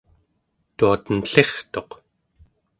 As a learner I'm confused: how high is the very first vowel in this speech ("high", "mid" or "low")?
high